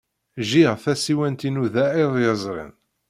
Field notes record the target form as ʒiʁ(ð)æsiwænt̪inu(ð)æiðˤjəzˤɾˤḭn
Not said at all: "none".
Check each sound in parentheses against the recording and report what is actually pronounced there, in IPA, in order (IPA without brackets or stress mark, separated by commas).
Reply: θ, ð